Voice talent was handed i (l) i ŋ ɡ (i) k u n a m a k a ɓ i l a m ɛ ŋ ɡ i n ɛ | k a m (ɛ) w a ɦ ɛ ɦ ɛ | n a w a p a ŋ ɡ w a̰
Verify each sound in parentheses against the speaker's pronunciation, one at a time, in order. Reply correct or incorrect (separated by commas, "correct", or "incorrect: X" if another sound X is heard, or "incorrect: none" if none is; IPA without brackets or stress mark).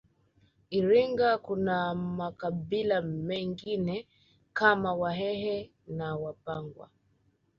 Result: incorrect: ɾ, incorrect: a, incorrect: a